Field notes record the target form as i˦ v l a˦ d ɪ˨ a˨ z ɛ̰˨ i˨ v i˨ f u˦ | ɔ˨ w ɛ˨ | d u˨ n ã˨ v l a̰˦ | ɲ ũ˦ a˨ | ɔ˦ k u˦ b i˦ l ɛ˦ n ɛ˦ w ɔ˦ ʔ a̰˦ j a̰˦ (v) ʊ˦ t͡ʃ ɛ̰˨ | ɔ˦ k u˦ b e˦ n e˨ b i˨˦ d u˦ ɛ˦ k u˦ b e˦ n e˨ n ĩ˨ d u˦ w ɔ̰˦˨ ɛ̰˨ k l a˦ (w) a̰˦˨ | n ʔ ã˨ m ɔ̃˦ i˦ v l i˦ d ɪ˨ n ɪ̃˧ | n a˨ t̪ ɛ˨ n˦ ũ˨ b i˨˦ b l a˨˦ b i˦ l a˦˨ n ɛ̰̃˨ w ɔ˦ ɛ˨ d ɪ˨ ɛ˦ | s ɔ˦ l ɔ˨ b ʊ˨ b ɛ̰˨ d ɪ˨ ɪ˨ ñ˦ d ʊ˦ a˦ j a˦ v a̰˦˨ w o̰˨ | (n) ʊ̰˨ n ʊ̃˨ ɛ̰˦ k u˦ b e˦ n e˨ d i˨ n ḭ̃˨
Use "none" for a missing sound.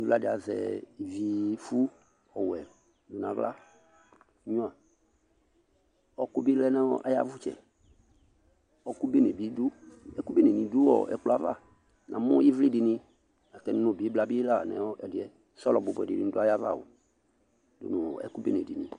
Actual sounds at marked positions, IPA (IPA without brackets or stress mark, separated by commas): v, v, d